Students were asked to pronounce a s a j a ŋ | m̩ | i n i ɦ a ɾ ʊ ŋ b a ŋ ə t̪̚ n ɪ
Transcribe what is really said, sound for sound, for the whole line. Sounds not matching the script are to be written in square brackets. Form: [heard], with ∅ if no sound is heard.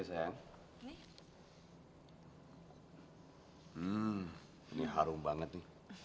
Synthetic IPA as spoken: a s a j a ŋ | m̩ | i n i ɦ a ɾ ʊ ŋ b a ŋ ə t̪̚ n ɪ